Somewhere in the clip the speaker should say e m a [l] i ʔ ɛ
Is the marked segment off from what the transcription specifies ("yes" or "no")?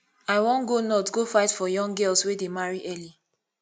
yes